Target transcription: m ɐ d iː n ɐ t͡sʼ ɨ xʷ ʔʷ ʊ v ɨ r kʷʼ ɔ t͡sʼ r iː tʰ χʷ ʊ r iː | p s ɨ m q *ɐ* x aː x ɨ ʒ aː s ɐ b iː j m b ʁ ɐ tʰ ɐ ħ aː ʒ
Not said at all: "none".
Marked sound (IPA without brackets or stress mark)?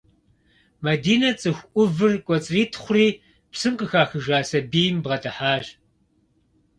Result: ə